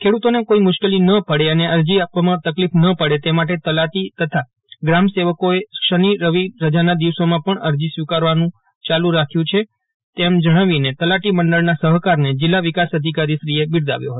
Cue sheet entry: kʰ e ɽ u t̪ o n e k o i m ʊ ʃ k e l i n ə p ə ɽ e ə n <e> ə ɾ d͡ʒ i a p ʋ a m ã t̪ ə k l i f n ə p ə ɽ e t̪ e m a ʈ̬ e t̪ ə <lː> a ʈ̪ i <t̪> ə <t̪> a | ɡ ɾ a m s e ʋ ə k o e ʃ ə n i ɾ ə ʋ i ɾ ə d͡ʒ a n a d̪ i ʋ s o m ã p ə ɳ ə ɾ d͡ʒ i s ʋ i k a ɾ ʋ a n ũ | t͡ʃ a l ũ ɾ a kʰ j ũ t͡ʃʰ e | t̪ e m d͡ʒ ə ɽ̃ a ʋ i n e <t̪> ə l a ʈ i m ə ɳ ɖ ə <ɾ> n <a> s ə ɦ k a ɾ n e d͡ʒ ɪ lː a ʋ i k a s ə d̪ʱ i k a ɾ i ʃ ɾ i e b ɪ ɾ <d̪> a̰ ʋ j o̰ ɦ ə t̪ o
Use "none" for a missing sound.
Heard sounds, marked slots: e, l, t̪, t̪ʰ, t̪, ɭ, a, d̪

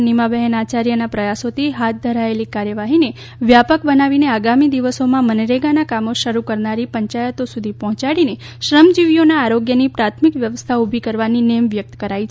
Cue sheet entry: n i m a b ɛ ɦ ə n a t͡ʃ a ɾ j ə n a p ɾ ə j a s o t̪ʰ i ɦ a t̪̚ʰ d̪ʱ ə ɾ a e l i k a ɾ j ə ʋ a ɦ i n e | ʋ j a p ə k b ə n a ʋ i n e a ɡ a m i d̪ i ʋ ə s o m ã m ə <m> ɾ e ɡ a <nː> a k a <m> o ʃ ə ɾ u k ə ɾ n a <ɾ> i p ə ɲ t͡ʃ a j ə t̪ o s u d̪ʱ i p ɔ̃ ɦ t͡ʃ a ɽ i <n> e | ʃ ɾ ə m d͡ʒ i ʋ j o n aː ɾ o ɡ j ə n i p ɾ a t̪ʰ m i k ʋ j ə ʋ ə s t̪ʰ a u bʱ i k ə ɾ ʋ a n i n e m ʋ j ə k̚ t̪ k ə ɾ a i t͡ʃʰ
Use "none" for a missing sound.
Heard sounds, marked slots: n, n, m, ɾ, n

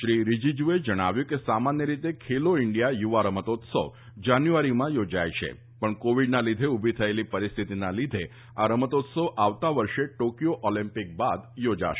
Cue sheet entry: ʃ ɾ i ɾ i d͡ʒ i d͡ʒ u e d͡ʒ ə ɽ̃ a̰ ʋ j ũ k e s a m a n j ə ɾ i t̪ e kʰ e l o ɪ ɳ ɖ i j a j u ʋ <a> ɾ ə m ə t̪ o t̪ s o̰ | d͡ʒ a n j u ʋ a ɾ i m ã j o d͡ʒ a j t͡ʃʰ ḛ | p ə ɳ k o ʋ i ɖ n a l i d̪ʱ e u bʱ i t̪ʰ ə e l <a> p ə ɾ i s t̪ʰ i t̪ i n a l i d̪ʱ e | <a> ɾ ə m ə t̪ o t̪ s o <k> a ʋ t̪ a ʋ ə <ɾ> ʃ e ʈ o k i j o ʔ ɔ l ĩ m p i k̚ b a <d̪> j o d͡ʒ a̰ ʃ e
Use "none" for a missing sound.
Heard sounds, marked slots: a, i, a, ʔ, ɾ, d̪

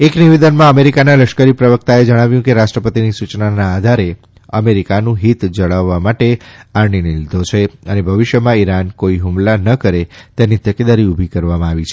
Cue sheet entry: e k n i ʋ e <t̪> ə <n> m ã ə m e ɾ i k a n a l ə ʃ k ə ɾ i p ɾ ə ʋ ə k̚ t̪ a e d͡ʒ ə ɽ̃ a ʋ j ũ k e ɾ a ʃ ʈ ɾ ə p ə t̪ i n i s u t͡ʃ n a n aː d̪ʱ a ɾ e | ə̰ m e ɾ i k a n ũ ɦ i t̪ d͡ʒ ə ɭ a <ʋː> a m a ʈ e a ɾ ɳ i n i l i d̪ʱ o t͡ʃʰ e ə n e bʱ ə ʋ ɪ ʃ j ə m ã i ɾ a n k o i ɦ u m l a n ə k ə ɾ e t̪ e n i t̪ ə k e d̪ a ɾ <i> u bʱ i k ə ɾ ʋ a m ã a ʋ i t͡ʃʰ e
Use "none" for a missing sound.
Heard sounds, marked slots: d̪, n, ʋː, i

